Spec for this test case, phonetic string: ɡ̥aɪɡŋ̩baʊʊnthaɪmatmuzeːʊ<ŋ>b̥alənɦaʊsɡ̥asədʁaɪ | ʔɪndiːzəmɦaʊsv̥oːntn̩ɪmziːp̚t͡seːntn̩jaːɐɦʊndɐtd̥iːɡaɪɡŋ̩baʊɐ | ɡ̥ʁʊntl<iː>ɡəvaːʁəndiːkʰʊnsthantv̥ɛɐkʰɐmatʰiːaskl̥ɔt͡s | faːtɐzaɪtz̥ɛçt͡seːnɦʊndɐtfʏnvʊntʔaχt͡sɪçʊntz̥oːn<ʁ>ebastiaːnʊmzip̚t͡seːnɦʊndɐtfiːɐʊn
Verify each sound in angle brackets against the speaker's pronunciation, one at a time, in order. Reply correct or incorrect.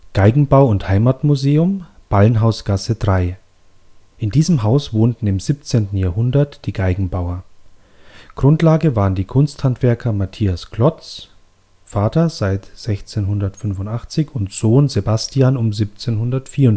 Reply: incorrect, incorrect, incorrect

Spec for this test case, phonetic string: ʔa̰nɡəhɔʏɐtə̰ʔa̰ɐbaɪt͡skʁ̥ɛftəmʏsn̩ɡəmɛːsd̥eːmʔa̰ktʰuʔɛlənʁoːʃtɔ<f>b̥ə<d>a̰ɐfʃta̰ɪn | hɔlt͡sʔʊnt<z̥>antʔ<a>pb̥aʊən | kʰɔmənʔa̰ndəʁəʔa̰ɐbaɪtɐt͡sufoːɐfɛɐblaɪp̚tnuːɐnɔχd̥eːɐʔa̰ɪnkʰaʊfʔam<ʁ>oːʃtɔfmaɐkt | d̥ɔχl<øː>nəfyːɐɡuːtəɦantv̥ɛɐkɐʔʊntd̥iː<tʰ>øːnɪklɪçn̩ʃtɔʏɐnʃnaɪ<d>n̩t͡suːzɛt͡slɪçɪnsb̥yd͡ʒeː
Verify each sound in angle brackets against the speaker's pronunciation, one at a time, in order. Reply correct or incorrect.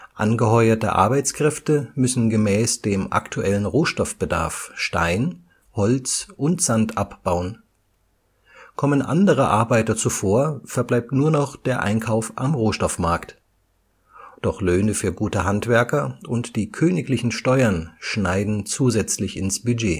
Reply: correct, correct, correct, correct, correct, correct, incorrect, correct

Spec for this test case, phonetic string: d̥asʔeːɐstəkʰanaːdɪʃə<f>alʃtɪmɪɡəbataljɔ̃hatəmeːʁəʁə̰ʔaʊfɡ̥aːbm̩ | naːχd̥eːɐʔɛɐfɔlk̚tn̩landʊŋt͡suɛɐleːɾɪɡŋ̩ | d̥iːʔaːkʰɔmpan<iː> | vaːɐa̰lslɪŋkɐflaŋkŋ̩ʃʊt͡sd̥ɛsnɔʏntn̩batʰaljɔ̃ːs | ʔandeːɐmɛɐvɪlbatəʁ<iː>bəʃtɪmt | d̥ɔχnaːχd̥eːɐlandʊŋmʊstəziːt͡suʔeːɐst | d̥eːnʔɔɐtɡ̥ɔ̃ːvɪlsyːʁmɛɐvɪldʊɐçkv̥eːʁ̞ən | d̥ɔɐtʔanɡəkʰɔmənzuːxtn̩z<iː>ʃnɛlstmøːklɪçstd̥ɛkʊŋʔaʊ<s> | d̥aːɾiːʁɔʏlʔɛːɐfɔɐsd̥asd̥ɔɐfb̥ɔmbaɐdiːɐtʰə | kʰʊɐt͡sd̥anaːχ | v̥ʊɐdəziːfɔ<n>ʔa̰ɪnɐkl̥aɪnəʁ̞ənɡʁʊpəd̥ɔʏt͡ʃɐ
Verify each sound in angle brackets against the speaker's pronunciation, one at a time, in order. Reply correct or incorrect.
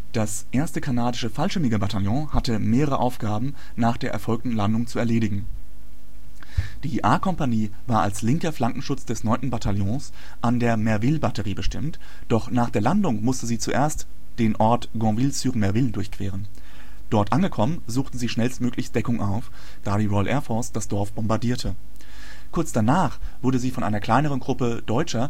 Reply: correct, correct, correct, correct, incorrect, correct

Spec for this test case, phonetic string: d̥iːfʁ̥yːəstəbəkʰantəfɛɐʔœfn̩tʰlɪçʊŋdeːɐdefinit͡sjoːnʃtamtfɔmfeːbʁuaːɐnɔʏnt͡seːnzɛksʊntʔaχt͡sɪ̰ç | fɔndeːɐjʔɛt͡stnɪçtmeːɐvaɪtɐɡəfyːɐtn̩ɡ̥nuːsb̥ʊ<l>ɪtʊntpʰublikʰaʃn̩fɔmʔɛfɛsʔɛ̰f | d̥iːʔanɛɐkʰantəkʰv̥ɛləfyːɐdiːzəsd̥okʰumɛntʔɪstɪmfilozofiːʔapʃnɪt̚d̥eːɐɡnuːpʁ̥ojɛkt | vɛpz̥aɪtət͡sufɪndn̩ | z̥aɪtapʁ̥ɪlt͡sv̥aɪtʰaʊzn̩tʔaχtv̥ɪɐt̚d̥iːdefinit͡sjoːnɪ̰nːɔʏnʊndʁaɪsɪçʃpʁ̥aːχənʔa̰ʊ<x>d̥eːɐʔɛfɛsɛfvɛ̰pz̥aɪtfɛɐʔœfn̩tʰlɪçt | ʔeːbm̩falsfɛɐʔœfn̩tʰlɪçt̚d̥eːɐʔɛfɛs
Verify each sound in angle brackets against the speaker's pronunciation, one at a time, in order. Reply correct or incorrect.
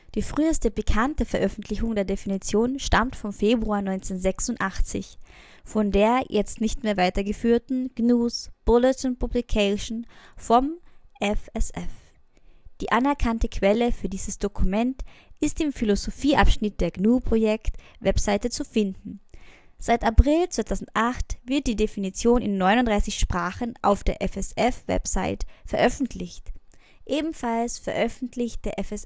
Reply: correct, incorrect

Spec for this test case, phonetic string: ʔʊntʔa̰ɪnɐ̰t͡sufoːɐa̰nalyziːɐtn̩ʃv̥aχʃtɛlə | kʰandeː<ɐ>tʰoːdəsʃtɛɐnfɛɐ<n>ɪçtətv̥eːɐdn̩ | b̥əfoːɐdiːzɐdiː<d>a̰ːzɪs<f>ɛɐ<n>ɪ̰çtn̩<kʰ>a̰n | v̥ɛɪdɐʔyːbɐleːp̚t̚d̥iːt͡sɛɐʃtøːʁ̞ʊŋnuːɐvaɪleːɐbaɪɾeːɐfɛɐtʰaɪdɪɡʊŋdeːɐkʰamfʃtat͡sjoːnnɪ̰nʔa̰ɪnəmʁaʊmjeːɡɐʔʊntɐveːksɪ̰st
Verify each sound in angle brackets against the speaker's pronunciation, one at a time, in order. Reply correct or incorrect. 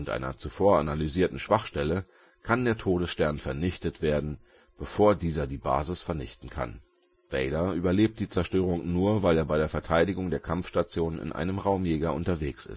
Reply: correct, correct, incorrect, correct, correct, correct

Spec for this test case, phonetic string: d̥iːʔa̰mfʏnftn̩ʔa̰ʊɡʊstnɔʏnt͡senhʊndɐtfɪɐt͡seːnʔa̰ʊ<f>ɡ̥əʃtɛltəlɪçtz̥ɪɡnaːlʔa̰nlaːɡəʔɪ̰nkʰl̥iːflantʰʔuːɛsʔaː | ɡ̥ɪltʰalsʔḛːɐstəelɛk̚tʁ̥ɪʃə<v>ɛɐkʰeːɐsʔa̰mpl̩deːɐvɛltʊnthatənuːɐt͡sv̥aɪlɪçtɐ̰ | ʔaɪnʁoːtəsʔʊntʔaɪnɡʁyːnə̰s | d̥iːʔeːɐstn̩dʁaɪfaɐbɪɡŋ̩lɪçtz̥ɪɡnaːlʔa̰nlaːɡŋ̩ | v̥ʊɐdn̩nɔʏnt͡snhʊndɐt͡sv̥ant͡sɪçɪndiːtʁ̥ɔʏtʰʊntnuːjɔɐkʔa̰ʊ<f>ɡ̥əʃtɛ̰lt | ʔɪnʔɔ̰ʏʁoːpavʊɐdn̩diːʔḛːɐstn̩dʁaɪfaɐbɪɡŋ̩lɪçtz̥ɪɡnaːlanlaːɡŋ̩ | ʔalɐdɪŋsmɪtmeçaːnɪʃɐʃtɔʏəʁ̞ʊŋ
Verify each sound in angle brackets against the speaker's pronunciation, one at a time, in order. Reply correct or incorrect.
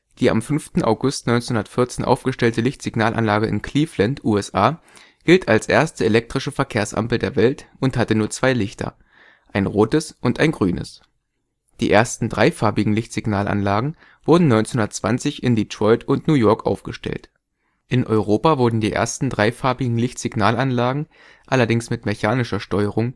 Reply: correct, incorrect, correct

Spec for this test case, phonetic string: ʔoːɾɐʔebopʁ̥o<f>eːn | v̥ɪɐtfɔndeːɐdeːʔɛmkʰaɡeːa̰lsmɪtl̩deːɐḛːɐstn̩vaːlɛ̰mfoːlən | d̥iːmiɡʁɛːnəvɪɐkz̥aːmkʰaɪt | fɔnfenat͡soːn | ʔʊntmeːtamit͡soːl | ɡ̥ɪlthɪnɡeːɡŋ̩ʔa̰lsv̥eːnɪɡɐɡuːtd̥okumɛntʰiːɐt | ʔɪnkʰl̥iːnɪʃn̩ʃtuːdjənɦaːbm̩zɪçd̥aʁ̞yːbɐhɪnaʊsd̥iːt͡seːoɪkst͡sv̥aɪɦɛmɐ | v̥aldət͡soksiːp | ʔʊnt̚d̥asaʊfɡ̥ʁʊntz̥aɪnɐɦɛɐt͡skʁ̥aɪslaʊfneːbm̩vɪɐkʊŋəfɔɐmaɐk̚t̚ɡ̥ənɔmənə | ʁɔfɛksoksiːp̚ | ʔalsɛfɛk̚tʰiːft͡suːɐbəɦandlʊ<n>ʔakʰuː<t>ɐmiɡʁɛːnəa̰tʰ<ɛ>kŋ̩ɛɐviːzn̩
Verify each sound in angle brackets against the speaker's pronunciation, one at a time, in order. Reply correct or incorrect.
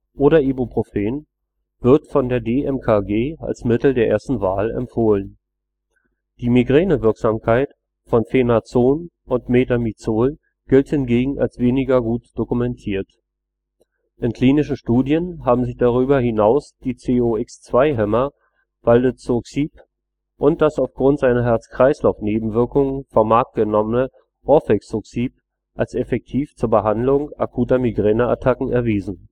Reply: correct, incorrect, correct, incorrect

